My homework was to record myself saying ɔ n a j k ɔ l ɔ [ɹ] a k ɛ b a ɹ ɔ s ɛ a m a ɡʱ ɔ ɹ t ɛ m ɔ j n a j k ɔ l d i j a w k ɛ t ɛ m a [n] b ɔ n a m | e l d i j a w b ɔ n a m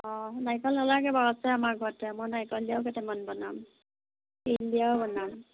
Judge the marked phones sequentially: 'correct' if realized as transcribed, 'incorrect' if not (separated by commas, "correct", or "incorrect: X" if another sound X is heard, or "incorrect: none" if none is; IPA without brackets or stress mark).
incorrect: l, correct